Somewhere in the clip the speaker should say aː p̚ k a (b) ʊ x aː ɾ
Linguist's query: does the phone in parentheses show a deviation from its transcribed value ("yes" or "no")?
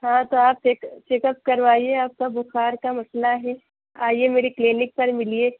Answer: no